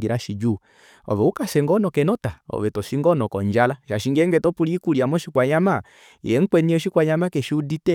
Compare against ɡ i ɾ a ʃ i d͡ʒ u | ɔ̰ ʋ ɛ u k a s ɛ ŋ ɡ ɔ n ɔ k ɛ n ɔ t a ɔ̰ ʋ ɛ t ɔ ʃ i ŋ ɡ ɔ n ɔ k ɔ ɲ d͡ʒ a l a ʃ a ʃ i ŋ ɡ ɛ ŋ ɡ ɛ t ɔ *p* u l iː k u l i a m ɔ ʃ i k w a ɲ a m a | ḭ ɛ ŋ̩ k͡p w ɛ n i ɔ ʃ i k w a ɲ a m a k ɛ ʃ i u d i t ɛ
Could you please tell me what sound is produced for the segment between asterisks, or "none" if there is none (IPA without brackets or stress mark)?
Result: p